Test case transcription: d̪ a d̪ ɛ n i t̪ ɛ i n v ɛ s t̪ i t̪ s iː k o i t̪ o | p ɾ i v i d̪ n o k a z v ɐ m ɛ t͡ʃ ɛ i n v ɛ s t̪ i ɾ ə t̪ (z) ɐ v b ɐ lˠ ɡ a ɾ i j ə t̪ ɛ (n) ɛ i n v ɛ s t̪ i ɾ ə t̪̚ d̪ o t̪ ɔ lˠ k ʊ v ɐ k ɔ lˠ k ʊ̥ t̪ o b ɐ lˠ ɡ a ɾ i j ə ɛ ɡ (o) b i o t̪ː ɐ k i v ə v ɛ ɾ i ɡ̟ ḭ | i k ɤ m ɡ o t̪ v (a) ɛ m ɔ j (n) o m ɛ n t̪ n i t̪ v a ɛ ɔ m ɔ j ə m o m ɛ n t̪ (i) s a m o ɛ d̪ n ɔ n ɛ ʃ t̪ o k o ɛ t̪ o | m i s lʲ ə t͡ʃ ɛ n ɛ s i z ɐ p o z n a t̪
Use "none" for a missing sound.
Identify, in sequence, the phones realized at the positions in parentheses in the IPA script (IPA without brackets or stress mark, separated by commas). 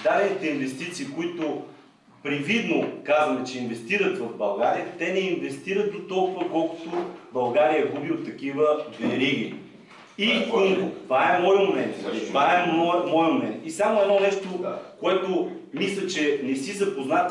v, n, u, a, m, i